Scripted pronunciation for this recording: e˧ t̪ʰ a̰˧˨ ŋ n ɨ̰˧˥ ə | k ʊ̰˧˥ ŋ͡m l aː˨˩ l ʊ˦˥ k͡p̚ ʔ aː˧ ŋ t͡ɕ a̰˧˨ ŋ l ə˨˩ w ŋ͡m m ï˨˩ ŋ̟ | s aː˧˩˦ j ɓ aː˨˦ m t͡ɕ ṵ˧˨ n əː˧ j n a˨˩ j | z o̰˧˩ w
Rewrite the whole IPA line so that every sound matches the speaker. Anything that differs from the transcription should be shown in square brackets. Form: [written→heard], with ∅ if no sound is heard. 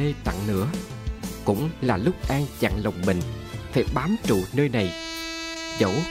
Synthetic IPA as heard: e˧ [t̪ʰ→t̪] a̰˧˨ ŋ n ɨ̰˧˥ ə | k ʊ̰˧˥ ŋ͡m l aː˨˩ l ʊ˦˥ k͡p̚ ʔ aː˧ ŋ t͡ɕ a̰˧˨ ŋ l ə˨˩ w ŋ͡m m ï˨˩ ŋ̟ | [s→f] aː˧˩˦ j ɓ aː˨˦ m t͡ɕ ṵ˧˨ n əː˧ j n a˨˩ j | z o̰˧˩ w